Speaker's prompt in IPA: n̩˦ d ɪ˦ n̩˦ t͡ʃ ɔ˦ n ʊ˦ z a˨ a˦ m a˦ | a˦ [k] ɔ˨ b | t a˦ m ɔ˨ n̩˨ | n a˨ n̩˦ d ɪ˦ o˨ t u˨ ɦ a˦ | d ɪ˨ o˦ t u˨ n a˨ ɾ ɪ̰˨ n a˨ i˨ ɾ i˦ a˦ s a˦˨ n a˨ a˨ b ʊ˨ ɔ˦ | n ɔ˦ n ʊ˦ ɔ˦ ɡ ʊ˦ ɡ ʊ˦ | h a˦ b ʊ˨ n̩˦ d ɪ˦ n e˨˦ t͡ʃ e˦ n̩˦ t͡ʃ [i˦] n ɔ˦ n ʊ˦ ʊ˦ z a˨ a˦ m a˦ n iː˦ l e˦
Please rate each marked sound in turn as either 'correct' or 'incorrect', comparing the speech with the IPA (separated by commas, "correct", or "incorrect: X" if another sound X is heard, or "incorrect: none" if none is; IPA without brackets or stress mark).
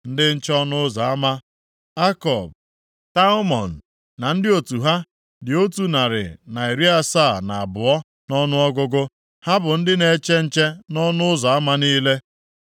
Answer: correct, incorrect: e˦